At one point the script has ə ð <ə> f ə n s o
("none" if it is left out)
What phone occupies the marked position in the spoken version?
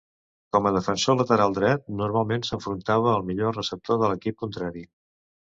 ə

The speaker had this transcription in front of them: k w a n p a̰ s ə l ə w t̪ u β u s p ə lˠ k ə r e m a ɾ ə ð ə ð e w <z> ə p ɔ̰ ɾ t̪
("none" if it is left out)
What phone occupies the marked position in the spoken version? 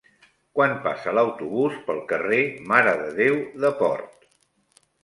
ð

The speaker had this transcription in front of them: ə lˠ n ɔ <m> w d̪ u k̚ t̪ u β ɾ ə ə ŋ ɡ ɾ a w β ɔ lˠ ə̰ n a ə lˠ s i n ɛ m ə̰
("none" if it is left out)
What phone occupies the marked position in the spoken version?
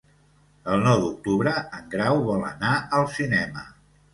none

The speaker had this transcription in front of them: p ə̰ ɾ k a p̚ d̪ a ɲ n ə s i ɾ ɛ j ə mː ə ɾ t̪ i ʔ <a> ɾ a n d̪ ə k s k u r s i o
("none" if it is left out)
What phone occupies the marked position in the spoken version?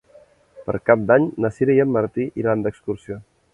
i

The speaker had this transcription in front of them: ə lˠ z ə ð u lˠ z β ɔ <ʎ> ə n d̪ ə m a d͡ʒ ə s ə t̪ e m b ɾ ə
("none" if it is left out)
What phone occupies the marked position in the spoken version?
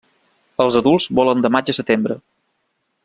l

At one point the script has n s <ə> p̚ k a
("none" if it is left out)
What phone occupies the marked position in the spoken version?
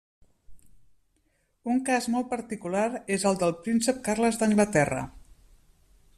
ə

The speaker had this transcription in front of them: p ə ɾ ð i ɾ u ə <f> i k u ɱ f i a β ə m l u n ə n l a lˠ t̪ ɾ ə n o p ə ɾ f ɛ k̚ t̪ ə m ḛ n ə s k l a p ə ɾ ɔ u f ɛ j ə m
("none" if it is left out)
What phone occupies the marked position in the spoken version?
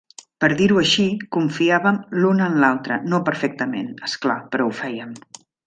ʃ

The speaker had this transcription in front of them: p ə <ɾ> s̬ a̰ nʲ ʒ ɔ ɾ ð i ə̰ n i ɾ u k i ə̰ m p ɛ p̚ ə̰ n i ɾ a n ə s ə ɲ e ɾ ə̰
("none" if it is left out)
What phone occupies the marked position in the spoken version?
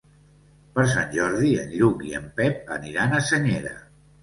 ɾ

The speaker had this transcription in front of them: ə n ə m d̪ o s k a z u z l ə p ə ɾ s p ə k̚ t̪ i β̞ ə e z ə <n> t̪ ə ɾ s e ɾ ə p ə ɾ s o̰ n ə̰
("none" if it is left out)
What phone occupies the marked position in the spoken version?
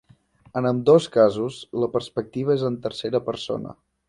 n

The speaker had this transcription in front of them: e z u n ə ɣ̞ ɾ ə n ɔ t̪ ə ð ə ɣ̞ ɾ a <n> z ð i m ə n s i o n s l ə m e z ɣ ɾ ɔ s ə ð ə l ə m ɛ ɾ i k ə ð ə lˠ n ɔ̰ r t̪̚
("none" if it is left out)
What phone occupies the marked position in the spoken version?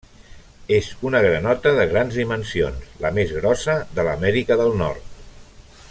n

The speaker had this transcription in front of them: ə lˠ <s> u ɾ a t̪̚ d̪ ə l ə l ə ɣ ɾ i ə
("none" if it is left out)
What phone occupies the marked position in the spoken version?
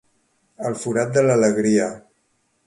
f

